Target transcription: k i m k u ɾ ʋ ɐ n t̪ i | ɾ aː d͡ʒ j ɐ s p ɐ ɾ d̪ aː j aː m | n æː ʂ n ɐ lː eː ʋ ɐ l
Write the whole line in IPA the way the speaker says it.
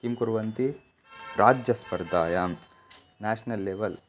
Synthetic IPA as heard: k i m k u ɾ ʋ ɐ n t̪ i | ɾ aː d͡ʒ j ɐ s p ɐ ɾ d̪ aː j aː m | n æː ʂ n ɐ lː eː ʋ ɐ l